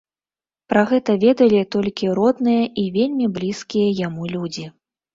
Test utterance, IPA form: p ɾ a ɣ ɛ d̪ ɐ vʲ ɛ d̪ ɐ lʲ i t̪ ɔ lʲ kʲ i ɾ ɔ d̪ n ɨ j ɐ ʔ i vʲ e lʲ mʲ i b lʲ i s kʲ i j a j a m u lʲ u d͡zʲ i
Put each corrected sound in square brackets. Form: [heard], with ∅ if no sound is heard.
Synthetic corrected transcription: p ɾ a ɣ ɛ [t̪] ɐ vʲ ɛ d̪ ɐ lʲ i t̪ ɔ lʲ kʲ i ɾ ɔ d̪ n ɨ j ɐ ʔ i vʲ e lʲ mʲ i b lʲ i s kʲ i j [ɐ] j a m u lʲ u d͡zʲ i

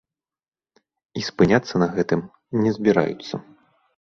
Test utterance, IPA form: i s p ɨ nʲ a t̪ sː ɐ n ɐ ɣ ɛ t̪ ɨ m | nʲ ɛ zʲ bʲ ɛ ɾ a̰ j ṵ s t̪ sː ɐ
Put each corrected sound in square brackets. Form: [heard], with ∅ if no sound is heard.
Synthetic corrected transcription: i s p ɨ nʲ a t̪ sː ɐ n ɐ ɣ ɛ t̪ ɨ m | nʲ ɛ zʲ bʲ [i] ɾ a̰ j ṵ [∅] t̪ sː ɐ

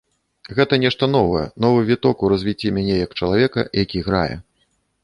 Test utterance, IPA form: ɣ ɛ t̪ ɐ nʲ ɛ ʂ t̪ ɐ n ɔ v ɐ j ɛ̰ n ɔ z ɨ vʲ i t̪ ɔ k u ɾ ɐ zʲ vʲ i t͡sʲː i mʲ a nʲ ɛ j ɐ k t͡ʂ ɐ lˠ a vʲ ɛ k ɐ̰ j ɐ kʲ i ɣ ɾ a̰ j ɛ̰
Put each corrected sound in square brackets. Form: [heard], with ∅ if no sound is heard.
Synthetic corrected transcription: ɣ ɛ t̪ ɐ nʲ ɛ ʂ t̪ ɐ n ɔ v ɐ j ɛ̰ n ɔ [v] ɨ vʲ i t̪ ɔ k u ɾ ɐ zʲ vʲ i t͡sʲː i mʲ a nʲ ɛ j ɐ k t͡ʂ ɐ lˠ a vʲ ɛ k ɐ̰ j [a] kʲ i ɣ ɾ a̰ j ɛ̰

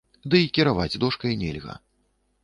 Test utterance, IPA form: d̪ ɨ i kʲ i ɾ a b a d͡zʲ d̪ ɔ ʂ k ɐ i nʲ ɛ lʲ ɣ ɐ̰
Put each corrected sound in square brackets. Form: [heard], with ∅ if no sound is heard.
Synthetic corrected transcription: d̪ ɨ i kʲ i ɾ a [v] a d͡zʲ d̪ ɔ ʂ k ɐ [j] nʲ ɛ lʲ ɣ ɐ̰

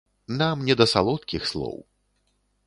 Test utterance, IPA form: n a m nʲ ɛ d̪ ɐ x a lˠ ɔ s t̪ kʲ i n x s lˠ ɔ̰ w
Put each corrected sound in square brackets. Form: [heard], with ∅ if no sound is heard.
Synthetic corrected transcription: n a m nʲ ɛ d̪ ɐ [s] a lˠ ɔ [∅] t̪ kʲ i [∅] x s lˠ ɔ̰ w

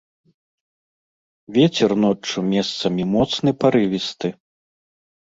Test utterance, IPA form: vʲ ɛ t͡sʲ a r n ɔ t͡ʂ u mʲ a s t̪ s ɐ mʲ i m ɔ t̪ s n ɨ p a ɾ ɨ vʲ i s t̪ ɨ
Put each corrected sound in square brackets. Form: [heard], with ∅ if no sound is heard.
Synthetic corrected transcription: vʲ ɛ t͡sʲ [ɛ] r n ɔ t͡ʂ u mʲ [ɛ] s t̪ s ɐ mʲ i m ɔ t̪ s n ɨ p a ɾ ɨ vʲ i s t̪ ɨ

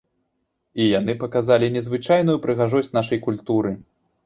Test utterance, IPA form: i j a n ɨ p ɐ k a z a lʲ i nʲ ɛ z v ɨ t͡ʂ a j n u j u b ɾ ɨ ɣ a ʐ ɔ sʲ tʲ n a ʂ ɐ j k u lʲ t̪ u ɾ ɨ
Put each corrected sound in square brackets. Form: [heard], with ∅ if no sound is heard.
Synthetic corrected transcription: i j a n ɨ p ɐ k a z a lʲ i nʲ ɛ z v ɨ t͡ʂ a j n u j u [p] ɾ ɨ ɣ a ʐ ɔ sʲ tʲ n a ʂ ɐ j k u lʲ t̪ u ɾ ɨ

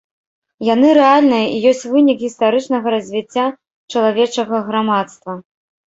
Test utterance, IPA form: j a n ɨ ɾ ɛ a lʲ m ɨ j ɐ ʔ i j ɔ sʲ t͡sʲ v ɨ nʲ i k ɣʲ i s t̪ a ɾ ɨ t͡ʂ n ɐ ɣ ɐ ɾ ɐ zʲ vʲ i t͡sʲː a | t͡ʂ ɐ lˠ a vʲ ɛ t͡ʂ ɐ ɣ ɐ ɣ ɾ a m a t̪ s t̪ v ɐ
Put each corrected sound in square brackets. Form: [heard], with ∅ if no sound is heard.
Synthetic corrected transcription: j a n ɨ ɾ ɛ a lʲ [n] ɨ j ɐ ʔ i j ɔ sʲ t͡sʲ v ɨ nʲ i k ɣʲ i s t̪ a ɾ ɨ t͡ʂ n ɐ ɣ ɐ ɾ ɐ zʲ vʲ i t͡sʲː a | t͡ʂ ɐ lˠ a vʲ ɛ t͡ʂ ɐ ɣ ɐ ɣ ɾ a m a t̪ s t̪ v ɐ

